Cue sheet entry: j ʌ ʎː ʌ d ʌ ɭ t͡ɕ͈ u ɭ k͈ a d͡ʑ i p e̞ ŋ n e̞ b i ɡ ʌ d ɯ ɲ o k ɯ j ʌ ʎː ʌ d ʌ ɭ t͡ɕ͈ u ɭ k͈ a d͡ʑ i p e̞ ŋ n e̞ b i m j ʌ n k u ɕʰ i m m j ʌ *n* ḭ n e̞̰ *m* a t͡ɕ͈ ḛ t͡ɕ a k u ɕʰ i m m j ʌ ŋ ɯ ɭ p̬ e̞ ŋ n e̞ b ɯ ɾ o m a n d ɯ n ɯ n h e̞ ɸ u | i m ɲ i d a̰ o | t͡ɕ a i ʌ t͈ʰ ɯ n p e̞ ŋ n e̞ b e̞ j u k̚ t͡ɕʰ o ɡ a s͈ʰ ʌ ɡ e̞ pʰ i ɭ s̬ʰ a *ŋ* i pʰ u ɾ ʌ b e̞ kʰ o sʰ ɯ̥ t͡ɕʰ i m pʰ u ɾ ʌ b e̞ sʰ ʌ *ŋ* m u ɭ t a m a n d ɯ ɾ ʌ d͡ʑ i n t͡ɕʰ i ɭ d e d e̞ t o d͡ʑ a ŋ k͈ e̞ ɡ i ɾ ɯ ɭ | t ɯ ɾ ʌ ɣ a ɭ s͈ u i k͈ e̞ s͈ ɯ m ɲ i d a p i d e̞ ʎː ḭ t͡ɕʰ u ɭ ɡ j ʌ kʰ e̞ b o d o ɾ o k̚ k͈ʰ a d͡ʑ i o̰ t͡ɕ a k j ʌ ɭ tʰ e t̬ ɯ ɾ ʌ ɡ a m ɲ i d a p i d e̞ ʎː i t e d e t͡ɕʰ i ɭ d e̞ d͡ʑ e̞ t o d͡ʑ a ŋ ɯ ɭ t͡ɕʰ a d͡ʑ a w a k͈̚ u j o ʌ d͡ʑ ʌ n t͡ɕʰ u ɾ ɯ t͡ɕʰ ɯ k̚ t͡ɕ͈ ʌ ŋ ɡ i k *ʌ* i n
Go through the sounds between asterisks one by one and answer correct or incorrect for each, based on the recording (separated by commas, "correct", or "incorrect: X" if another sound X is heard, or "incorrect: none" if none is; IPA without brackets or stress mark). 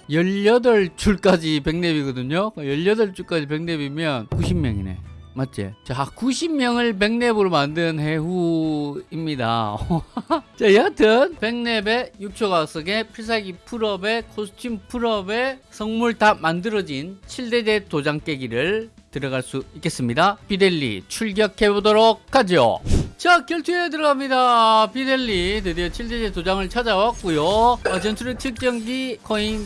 incorrect: ŋ, correct, incorrect: ɡ, correct, correct